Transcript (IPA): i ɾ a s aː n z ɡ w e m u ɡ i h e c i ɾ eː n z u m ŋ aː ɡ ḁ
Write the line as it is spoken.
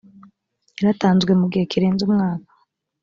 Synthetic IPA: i ɾ a t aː n z ɡ w e m u ɡ i h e k i ɾ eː n z u m ŋ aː k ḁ